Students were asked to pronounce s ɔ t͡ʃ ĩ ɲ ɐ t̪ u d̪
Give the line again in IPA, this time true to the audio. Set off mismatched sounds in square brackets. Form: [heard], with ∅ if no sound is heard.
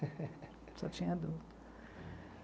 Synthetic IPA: s ɔ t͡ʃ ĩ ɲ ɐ [d̪] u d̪